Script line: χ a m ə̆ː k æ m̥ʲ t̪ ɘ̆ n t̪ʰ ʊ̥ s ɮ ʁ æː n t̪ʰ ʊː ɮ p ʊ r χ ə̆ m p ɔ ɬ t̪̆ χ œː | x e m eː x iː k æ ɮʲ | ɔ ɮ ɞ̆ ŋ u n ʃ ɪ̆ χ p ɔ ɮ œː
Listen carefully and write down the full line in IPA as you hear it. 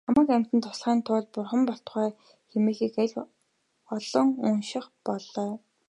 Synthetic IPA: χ a m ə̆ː k æ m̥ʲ t̪ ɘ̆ n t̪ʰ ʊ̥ s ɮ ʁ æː n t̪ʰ ʊː ɮ p ʊ r χ ə̆ m p ɔ ɬ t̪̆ χ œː | x e m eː x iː k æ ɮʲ | ɔ ɮ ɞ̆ ŋ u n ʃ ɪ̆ χ p ɔ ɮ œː

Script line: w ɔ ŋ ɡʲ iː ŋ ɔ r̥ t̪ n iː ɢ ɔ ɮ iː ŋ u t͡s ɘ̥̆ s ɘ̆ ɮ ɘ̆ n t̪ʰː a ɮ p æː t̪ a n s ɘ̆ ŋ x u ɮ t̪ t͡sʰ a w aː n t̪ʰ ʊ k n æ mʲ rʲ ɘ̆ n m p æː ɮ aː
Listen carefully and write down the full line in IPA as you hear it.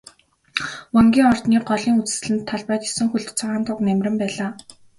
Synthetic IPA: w ɔ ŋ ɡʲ iː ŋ ɔ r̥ t̪ n iː ɢ ɔ ɮ iː ŋ u t͡s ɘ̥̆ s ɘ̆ ɮ ɘ̆ n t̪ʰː a ɮ p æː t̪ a s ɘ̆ ŋ x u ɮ t̪ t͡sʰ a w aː n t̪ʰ ʊ k n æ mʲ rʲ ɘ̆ m p æː ɮ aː

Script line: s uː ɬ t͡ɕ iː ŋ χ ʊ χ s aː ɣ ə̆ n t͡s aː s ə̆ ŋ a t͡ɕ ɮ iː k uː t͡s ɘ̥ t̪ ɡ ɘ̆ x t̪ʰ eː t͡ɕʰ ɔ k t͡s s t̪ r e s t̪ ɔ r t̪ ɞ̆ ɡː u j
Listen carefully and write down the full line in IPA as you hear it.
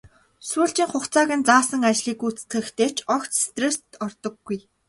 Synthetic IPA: s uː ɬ t͡ɕ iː ŋ χ ʊ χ t͡s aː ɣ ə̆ n t͡s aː s ə̆ ŋ a t͡ɕ ɮ iː k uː t͡s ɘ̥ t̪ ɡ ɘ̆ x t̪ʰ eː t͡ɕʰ ɔ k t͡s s t̪ r e s t̪ ɔ r t̪ ɞ̆ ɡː u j

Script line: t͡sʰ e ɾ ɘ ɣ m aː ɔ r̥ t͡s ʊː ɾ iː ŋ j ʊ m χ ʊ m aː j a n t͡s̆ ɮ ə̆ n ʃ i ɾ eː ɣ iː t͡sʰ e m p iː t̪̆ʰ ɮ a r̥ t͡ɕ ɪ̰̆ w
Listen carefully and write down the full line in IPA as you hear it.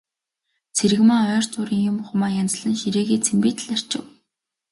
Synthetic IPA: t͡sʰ e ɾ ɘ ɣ m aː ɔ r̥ t͡s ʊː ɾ iː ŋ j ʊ m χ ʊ m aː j a n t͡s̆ ɮ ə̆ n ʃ i ɾ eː ɣ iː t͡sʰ e m p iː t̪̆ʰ ɮ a r̥ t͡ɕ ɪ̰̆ w

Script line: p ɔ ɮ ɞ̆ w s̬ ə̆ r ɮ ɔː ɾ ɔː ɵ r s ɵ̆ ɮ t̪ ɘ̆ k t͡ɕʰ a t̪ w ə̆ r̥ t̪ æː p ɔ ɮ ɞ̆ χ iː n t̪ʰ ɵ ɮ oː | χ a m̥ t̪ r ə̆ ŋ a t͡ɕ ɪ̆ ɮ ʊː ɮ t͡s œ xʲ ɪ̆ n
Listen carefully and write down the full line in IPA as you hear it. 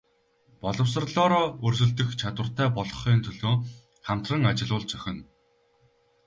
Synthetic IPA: p ɔ ɮ ɞ̆ w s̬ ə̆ r ɮ ɔː ɾ ɔː ɵ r s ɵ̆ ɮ t̪ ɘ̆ x t͡ɕʰ a t̪ w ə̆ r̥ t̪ æː p ɔ ɮ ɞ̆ χ iː n t̪ʰ ɵ ɮ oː | χ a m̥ t̪ r ə̆ ŋ a t͡ɕ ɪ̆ ɮ ʊː ɮ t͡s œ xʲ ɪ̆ n

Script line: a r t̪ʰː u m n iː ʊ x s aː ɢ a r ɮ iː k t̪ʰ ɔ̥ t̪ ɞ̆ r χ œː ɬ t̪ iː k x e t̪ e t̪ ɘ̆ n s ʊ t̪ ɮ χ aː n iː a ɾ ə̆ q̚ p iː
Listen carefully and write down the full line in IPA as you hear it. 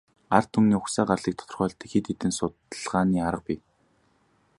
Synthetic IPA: a r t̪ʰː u m n iː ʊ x s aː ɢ a r ɮ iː k t̪ʰ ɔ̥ t̪ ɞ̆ r χ œː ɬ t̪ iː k x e t̪ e t̪ ɘ̆ n s ʊ t̪ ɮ ʁ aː n iː a ɾ ə̆ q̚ p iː

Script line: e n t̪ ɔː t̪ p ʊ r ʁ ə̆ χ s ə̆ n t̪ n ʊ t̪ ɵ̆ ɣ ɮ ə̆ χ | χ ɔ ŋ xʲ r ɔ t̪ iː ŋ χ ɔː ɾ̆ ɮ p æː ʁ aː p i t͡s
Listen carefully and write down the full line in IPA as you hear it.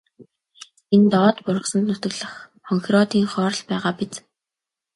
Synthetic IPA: e n t̪ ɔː t̪ p ʊ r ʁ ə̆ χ s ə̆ n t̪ n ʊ t̪ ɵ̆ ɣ ɮ ə̆ χ | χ ɔ ŋ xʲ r ɔ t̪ iː ŋ χ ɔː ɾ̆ ɮ p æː ʁ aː p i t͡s

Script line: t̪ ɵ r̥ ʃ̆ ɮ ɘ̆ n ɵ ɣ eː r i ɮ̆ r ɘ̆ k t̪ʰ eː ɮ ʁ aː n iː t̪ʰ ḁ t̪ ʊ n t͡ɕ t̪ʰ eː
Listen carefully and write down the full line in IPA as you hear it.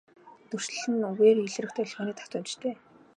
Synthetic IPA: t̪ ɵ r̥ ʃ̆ ɮ ɘ̆ n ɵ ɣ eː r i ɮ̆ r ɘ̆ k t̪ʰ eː ɮ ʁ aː n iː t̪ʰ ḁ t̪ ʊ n t͡ɕ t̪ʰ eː

